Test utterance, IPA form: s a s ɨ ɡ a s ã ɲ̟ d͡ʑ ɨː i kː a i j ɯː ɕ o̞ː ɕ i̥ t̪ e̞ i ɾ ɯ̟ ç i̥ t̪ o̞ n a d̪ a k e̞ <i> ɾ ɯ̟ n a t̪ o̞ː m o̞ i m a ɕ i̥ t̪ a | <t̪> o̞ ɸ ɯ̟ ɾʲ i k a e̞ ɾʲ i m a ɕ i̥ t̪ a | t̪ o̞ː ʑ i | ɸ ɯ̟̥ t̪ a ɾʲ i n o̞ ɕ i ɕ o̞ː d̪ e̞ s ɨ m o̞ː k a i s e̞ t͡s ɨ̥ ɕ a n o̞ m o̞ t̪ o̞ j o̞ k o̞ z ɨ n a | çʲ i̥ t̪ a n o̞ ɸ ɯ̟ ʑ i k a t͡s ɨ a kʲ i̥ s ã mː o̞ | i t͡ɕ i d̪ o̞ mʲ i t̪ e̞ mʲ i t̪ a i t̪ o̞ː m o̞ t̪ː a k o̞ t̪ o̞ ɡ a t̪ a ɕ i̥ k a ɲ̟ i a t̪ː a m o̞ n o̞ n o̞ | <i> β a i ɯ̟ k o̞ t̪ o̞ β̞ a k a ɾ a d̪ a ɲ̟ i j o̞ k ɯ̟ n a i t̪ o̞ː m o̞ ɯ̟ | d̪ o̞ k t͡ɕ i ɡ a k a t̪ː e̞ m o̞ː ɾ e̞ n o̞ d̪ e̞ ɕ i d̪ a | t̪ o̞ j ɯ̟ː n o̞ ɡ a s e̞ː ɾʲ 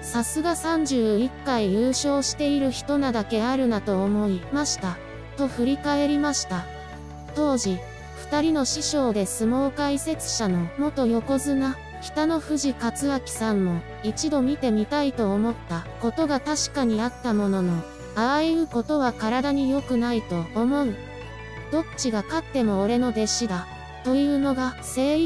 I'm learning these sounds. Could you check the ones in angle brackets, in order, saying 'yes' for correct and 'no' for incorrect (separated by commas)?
no, yes, no